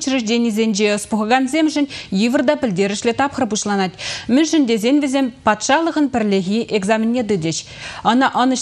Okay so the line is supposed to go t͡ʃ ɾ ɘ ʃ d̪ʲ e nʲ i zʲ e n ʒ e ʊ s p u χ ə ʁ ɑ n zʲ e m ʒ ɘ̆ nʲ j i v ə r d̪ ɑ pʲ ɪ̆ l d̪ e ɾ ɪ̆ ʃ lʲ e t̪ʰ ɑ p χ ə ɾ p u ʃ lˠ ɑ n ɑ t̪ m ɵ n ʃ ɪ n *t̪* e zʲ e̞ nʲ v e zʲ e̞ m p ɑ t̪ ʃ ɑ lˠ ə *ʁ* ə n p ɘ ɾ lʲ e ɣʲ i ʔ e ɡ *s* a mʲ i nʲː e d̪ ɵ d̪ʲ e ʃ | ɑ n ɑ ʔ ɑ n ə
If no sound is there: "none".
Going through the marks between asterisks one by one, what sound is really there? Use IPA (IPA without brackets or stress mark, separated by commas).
d̪, ʁ, z